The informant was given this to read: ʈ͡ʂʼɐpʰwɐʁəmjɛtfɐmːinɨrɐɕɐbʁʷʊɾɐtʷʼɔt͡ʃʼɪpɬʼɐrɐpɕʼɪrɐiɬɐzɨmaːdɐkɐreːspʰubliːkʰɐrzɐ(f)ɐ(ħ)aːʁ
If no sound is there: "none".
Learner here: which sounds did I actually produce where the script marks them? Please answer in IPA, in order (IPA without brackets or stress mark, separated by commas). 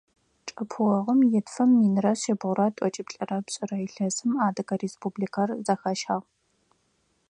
x, ʃ